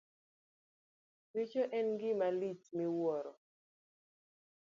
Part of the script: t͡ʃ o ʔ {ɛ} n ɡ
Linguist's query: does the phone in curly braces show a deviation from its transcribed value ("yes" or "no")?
no